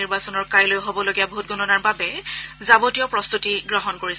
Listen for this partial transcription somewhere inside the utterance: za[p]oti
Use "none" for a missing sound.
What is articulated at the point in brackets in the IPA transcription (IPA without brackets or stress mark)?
b